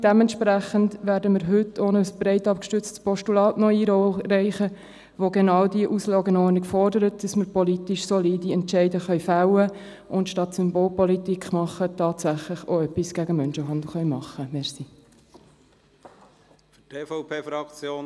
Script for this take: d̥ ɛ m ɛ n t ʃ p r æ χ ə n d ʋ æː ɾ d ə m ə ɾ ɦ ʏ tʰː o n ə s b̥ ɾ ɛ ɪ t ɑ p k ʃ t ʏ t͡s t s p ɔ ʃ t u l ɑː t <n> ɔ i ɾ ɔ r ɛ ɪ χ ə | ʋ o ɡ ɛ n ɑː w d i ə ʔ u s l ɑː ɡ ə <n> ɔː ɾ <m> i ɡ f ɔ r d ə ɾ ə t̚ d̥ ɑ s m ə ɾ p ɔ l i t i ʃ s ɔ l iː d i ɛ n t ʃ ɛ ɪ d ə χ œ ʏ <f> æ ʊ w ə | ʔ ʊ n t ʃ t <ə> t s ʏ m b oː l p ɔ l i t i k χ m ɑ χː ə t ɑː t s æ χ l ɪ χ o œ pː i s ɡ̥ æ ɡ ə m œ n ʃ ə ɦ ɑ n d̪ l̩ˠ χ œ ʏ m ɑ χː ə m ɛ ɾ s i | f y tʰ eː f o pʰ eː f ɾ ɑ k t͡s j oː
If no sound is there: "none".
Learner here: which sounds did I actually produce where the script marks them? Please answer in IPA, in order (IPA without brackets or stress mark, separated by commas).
n, n, n, f, ɑ